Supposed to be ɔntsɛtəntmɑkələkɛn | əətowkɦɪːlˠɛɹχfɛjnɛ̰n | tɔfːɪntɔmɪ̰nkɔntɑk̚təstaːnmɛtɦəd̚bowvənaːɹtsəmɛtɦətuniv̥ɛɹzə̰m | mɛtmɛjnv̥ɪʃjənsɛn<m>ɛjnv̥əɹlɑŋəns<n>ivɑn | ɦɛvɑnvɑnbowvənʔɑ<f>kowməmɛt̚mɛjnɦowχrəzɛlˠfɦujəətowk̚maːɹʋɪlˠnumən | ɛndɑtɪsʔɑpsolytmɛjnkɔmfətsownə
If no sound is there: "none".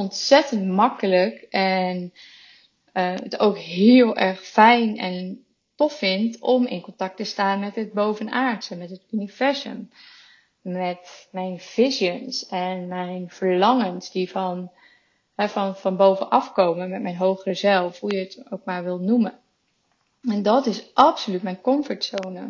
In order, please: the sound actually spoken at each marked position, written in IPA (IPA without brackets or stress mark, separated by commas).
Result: m, d, f